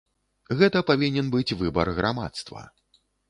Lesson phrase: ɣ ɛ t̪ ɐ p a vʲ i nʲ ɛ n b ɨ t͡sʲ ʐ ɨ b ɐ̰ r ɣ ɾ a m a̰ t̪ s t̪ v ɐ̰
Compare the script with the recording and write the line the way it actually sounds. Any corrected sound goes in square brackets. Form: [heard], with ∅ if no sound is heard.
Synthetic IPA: ɣ ɛ t̪ ɐ p a vʲ i nʲ ɛ n b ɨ t͡sʲ [v] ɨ b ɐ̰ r ɣ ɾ a m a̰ t̪ s t̪ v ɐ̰